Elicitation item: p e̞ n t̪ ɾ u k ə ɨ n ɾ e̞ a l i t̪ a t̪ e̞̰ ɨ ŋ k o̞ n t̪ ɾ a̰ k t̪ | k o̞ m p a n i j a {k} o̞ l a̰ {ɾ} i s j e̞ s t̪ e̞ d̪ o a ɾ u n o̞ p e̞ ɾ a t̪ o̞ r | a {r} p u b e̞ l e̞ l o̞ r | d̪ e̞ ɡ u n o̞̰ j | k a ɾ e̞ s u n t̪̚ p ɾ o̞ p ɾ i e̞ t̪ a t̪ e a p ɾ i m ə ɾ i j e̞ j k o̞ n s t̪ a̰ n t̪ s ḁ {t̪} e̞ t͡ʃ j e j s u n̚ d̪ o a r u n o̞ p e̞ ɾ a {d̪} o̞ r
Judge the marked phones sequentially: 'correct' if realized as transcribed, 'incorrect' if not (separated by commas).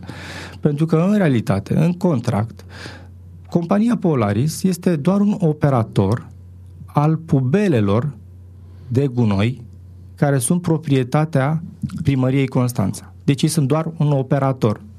incorrect, correct, incorrect, incorrect, incorrect